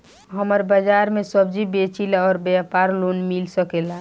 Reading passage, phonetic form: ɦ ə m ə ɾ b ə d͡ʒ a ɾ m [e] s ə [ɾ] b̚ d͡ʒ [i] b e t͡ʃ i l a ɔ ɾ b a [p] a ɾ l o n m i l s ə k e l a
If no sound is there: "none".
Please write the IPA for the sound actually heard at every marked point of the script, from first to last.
e, none, i, p

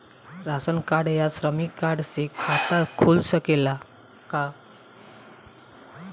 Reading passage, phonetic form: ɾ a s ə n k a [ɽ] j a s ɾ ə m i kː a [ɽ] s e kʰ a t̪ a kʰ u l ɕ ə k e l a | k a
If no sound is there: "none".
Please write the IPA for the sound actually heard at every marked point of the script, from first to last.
ɽ, ɽ

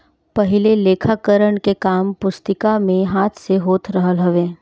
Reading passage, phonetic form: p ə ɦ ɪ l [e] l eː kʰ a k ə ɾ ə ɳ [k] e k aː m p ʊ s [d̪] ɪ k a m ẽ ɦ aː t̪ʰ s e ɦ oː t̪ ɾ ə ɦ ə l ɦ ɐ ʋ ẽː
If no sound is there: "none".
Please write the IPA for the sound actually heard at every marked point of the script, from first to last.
e, k, t̪

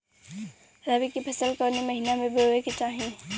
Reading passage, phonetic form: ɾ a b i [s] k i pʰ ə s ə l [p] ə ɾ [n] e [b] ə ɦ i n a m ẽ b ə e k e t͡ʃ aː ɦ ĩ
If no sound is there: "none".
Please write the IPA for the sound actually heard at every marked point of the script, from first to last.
none, k, n, m

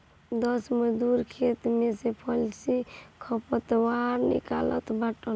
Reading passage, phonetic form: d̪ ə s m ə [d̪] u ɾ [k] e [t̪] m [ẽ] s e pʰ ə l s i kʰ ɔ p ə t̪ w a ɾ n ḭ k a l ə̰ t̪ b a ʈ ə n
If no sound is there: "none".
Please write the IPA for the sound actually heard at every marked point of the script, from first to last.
d̪, kʰ, t̪, e

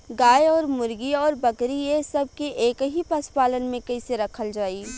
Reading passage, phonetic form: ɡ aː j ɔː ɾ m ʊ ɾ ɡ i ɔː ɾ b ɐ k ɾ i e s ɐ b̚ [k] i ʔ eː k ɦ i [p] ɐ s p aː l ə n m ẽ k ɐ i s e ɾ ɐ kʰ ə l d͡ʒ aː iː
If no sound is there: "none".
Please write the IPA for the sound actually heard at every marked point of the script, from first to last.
k, p

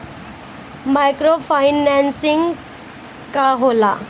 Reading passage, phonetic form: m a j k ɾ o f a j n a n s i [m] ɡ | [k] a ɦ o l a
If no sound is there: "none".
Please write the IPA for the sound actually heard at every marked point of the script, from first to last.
ŋ, k

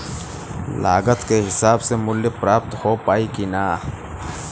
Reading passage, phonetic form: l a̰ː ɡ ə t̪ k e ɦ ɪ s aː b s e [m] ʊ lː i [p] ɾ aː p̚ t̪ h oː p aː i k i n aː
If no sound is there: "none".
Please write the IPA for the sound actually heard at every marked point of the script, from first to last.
m, p

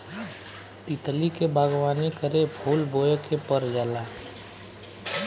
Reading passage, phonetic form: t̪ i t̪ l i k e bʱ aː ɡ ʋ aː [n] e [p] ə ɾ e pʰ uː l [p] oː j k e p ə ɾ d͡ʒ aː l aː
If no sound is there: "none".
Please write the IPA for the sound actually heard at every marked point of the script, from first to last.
n, k, b

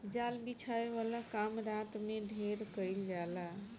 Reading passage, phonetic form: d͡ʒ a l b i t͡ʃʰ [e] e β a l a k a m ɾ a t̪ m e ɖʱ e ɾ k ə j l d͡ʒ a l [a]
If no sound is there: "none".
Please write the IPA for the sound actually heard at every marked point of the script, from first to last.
a, a

